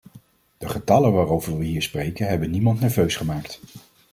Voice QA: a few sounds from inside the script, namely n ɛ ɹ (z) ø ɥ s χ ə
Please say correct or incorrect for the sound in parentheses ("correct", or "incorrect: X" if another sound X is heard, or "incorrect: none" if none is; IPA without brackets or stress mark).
incorrect: v